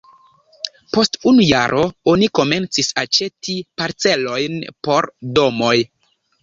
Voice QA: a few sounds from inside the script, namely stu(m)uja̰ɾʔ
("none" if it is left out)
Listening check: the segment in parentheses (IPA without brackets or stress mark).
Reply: n